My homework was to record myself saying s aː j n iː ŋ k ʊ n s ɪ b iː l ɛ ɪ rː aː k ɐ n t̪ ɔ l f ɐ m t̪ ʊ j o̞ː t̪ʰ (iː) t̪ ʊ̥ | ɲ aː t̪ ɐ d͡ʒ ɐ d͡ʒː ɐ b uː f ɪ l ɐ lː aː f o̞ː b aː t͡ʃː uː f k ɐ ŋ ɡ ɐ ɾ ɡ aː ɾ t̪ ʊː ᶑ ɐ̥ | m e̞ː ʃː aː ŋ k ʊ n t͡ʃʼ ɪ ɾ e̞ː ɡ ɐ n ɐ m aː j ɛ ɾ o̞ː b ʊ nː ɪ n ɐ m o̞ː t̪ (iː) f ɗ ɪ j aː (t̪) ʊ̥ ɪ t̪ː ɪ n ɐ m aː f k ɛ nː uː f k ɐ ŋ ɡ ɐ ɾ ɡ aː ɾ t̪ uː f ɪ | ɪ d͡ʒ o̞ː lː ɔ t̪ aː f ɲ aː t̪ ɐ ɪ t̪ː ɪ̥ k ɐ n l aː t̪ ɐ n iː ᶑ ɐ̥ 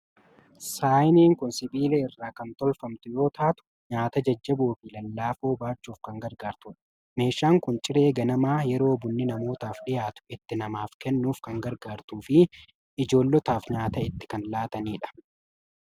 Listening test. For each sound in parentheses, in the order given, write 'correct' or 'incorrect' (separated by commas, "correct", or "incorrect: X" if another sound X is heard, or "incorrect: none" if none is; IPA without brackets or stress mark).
incorrect: aː, incorrect: aː, correct